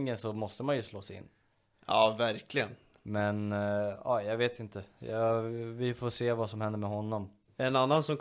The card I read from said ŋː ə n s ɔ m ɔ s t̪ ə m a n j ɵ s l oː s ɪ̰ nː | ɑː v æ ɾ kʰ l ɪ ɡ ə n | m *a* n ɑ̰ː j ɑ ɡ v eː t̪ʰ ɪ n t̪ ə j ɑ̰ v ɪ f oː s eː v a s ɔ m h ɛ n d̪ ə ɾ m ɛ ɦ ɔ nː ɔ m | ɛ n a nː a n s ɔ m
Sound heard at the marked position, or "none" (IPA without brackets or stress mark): ɛ